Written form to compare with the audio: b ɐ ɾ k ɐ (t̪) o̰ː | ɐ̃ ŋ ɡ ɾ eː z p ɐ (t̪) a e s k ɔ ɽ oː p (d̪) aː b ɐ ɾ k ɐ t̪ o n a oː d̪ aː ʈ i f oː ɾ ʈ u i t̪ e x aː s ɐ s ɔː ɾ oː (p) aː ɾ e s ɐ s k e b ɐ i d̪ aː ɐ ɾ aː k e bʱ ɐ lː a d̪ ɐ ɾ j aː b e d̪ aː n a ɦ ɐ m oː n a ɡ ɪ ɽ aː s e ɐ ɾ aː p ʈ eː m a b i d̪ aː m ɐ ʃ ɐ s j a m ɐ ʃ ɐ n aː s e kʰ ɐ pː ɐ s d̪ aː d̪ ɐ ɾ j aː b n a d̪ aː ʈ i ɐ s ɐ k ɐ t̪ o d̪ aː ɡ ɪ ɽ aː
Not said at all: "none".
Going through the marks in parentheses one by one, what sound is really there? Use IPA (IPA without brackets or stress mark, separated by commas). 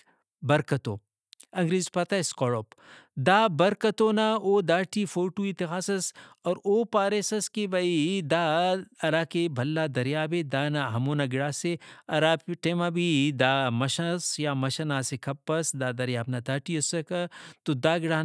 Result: t̪, t̪, d̪, p